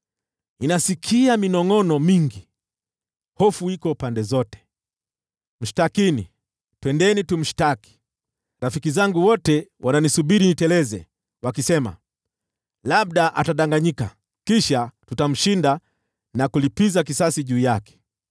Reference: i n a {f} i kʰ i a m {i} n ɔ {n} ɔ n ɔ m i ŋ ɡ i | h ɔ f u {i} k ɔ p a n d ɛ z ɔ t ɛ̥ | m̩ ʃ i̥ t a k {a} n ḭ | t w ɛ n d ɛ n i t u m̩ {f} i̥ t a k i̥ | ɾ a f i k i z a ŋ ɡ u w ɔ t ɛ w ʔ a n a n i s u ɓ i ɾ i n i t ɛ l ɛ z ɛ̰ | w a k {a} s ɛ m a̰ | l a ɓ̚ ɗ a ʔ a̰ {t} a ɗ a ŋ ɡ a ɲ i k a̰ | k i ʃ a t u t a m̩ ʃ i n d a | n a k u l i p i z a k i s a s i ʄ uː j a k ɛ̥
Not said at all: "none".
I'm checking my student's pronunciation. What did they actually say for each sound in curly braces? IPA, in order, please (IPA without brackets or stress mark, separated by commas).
s, i, ŋ, i, i, ʃ, i, t